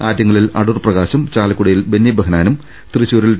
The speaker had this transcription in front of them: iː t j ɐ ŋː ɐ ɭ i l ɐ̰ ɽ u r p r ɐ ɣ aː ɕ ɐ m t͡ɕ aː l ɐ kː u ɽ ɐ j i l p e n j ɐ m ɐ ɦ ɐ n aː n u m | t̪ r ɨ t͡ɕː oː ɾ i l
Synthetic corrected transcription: aː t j ɐ ŋː ɐ ɭ i l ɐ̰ ɽ u r p r ɐ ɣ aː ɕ ɐ m t͡ɕ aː l ɐ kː u ɽ ɐ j i l b e n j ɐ b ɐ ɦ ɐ n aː n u m | t̪ r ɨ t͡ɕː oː ɾ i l

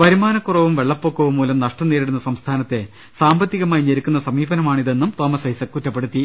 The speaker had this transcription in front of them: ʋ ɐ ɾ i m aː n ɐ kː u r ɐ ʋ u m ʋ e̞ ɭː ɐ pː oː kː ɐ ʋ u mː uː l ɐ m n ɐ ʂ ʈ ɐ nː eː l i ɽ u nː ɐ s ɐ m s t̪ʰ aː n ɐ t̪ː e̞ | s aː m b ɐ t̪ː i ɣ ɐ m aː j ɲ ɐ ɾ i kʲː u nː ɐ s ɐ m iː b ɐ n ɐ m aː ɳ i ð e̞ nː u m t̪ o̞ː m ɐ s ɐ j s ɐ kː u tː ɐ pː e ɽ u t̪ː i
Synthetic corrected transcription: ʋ ɐ ɾ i m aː n ɐ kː u r ɐ ʋ u m ʋ e̞ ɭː ɐ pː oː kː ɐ ʋ u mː uː l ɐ m n ɐ ʂ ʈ ɐ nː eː ɾ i ɽ u nː ɐ s ɐ m s t̪ʰ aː n ɐ t̪ː e̞ | s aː m b ɐ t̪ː i ɣ ɐ m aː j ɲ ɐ ɾ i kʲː u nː ɐ s ɐ m iː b ɐ n ɐ m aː ɳ i ð e̞ nː u m t̪ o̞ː m ɐ s ɐ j s ɐ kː u tː ɐ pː e ɽ u t̪ː i

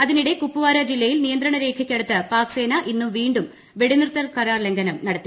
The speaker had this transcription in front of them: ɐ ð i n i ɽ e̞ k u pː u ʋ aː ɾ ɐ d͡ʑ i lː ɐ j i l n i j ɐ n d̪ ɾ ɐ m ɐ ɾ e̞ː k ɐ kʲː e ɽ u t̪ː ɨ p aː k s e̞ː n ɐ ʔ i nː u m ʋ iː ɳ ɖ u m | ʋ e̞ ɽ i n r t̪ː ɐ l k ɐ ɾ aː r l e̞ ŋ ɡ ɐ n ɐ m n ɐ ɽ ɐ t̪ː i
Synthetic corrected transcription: ɐ ð i n i ɽ e̞ k u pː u ʋ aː ɾ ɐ d͡ʑ i lː ɐ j i l n i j ɐ n d̪ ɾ ɐ ɳ ɐ ɾ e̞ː kʰ ɐ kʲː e ɽ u t̪ː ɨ p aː k s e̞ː n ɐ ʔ i nː u m ʋ iː ɳ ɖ u m | ʋ e̞ ɽ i n r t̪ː ɐ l k ɐ ɾ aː r l e̞ ŋ ɡ ɐ n ɐ m n ɐ ɽ ɐ t̪ː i

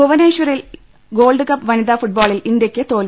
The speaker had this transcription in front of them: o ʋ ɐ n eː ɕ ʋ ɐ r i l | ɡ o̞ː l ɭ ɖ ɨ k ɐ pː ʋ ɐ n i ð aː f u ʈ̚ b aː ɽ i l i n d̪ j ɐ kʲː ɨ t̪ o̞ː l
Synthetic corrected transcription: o ʋ ɐ n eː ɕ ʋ ɐ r i l | ɡ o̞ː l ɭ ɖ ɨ k ɐ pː ʋ ɐ n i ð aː f u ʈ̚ b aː ɭ i l i n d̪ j ɐ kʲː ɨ t̪ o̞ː l

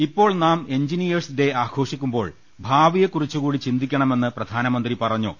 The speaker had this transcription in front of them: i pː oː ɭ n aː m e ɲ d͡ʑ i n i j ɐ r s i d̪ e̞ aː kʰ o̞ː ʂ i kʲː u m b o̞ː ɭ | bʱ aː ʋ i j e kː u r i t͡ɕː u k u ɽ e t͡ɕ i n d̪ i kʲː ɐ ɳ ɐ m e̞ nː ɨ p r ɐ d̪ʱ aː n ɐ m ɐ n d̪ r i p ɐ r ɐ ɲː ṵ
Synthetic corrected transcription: i pː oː ɭ n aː m e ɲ d͡ʑ i n i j ɐ r s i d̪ e̞ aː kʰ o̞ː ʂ i kʲː u m b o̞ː ɭ | bʱ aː ʋ i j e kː u r i t͡ɕː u k uː ɽ i t͡ɕ i n d̪ i kʲː ɐ ɳ ɐ m e̞ nː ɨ p r ɐ d̪ʱ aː n ɐ m ɐ n d̪ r i p ɐ r ɐ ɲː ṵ

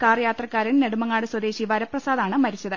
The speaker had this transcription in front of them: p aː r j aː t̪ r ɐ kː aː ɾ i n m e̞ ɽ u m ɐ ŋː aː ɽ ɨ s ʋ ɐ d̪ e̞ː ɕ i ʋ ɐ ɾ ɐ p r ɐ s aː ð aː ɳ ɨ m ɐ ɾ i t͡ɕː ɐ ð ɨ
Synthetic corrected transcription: k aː r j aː t̪ r ɐ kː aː ɾ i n n e̞ ɽ u m ɐ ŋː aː ɽ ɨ s w ɐ d̪ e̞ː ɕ i ʋ ɐ ɾ ɐ p r ɐ s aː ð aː ɳ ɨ m ɐ ɾ i t͡ɕː ɐ ð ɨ

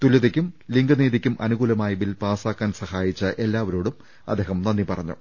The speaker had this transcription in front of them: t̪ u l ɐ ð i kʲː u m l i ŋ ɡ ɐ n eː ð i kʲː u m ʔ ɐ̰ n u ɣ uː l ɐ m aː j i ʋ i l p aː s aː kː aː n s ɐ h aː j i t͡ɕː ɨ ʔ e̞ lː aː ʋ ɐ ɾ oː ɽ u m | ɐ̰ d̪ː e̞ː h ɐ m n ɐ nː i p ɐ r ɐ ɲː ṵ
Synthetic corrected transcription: t̪ u l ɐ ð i kʲː u m l i ŋ ɡ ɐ n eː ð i kʲː u m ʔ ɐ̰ n u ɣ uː l ɐ m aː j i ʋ i l p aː s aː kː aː n s ɐ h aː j i t͡ɕː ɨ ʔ e̞ lː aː ʋ ɐ ɾ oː ɽ u m | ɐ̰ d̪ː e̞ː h ɐ m n ɐ nː i p ɐ r ɐ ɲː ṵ

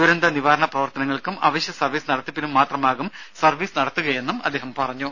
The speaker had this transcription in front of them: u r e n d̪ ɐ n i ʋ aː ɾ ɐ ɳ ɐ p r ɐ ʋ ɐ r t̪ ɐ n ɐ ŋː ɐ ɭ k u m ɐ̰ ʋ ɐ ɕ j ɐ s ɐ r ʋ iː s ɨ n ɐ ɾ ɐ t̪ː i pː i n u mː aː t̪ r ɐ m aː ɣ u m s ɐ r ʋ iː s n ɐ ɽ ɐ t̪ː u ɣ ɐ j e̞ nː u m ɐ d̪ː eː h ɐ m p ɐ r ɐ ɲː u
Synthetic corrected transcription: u ɾ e n d̪ ɐ n i ʋ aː ɾ ɐ ɳ ɐ p r ɐ ʋ ɐ r t̪ ɐ n ɐ ŋː ɐ ɭ k u m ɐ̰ ʋ ɐ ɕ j ɐ s ɐ r ʋ iː s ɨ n ɐ ɽ ɐ t̪ː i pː i n u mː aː t̪ r ɐ m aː ɣ u m s ɐ r ʋ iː s n ɐ ɽ ɐ t̪ː u ɣ ɐ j e̞ nː u m ɐ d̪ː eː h ɐ m p ɐ r ɐ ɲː u

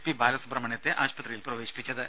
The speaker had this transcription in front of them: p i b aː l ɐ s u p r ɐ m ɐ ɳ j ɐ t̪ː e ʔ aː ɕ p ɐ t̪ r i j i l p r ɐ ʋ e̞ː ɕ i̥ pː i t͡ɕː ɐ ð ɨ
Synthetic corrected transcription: p i b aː l ɐ s u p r ɐ m ɐ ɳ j ɐ t̪ː e ʔ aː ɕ p ɐ t̪ r i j i l p r ɐ ʋ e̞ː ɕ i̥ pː i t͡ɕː ɐ ð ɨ

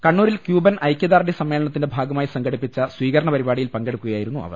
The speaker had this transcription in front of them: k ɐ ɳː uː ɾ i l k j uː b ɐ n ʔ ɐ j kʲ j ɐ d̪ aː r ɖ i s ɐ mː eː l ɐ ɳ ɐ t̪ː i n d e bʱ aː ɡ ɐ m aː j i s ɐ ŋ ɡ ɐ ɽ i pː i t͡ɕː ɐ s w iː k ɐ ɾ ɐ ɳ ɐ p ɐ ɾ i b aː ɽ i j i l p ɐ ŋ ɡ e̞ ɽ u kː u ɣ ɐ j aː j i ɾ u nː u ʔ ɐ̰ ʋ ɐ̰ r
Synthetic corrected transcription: k ɐ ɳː uː ɾ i l k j uː b ɐ n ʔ ɐ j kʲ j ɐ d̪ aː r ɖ i s ɐ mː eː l ɐ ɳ ɐ t̪ː i n d e bʱ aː ɡ ɐ m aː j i s ɐ ŋ ɡ ɐ ɽ i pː i t͡ɕː ɐ s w iː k ɐ ɾ ɐ ɳ ɐ p ɐ ɾ i b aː ɽ i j i l p ɐ ŋ ɡ e̞ ɽ u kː u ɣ ɐ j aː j i ɾ u nː u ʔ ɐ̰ ʋ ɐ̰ r

